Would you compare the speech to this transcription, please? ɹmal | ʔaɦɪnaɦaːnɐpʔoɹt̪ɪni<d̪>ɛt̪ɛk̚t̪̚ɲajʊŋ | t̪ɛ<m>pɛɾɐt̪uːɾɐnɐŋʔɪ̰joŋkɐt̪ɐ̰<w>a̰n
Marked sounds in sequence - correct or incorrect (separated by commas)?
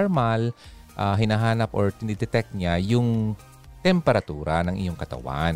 correct, correct, correct